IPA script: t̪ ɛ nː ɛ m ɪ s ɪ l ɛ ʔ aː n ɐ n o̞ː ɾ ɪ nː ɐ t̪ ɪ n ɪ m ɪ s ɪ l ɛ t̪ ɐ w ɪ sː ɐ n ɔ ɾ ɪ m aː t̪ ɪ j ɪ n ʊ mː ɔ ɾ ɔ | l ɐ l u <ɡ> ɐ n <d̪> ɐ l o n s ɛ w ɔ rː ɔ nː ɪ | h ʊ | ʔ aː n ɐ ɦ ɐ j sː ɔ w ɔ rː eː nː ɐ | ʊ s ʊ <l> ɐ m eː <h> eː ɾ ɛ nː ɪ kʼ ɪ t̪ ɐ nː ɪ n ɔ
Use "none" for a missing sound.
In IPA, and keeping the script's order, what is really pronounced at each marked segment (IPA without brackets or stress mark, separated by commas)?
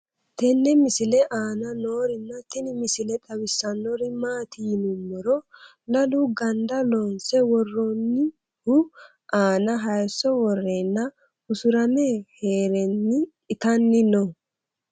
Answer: ɡ, d̪, ɾ, h